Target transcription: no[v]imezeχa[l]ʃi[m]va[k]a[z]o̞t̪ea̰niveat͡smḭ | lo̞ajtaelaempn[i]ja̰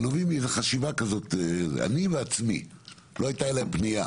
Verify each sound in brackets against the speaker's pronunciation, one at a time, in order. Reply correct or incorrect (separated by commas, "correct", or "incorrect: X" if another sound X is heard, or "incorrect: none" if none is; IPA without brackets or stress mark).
correct, incorrect: none, incorrect: none, correct, correct, correct